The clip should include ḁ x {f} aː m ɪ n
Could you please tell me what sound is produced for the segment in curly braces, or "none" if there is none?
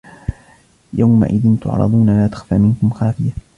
f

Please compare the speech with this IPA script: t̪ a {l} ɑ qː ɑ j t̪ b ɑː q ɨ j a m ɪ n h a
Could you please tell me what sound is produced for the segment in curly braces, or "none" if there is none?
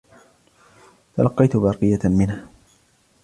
l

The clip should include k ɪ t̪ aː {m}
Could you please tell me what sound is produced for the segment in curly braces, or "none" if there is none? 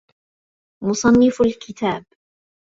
b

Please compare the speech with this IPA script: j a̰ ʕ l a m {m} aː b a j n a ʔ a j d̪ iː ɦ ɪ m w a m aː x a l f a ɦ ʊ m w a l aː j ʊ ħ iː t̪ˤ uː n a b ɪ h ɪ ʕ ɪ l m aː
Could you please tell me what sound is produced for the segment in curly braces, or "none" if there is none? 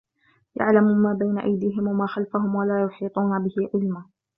m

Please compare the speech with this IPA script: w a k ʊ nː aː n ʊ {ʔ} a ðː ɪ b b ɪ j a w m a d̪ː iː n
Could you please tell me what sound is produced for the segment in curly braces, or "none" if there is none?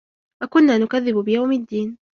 k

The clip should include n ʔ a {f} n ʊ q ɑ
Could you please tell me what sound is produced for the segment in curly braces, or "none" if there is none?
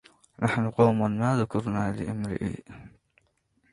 ħ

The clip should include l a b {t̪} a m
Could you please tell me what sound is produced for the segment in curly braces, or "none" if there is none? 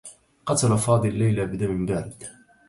d̪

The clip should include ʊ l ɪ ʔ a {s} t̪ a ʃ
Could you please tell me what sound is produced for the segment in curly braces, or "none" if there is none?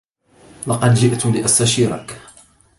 s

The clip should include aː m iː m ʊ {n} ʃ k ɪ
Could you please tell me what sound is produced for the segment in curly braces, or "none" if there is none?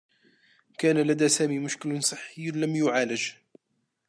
none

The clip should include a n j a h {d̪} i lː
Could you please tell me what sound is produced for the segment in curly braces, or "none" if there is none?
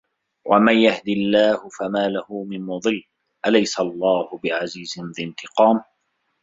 d̪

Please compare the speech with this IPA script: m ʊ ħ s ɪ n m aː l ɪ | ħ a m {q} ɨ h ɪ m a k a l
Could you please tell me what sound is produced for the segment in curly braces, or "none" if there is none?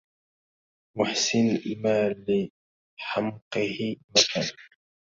q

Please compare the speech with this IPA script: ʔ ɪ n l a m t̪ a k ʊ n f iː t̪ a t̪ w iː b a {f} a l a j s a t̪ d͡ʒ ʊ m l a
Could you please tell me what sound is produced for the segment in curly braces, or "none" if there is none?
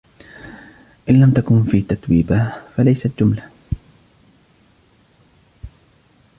f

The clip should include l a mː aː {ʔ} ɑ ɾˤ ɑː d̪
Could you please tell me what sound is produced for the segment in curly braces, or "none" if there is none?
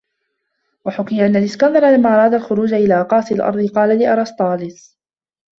ʔ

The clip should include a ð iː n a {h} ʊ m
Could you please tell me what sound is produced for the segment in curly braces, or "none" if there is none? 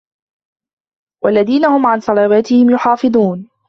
h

